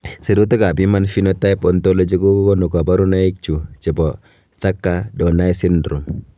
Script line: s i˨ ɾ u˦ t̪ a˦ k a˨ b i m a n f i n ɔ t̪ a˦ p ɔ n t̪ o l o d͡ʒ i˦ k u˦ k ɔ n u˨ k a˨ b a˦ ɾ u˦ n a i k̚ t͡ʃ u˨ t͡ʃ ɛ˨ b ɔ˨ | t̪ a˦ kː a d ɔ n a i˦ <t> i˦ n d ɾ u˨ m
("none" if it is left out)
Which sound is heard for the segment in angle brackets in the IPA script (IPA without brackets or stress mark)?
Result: s